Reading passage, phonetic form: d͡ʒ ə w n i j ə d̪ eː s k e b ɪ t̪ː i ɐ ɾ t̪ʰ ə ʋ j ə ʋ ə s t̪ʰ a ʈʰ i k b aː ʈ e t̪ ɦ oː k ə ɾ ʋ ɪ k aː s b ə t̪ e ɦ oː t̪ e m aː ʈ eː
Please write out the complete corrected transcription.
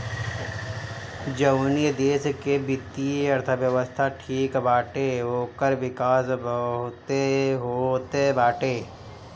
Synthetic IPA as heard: d͡ʒ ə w n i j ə d̪ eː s k e b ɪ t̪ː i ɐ ɾ t̪ʰ ə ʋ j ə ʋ ə s t̪ʰ a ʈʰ iː k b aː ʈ e ɦ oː k ə ɾ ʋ ɪ k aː s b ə t̪ e ɦ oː t̪ e b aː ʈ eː